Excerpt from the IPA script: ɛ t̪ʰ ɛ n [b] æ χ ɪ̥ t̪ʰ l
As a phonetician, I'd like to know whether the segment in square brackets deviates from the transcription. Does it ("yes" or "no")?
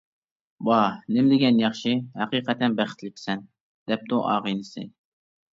no